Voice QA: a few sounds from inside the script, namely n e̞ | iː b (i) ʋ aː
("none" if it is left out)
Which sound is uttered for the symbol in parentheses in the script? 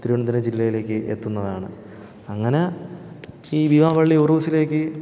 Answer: i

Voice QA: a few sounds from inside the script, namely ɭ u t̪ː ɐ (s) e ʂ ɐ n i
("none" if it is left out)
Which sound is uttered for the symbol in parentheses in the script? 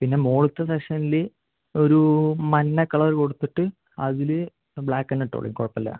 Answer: s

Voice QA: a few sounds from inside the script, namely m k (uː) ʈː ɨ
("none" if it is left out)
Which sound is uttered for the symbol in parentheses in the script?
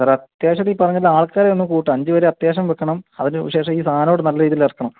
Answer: uː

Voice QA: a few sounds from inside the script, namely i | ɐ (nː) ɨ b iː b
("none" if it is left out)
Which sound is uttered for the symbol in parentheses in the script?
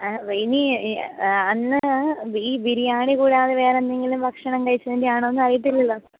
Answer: nː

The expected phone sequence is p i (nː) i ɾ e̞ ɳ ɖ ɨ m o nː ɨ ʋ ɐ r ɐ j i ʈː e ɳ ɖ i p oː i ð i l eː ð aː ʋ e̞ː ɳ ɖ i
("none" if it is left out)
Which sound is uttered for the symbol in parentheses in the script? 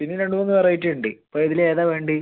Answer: nː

